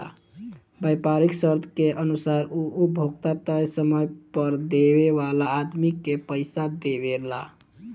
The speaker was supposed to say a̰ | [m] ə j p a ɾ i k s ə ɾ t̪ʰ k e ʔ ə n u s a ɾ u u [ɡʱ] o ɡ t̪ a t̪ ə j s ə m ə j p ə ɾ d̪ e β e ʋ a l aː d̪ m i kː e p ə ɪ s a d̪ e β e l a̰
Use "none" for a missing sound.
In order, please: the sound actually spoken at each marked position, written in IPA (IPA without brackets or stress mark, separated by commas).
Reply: b, bʱ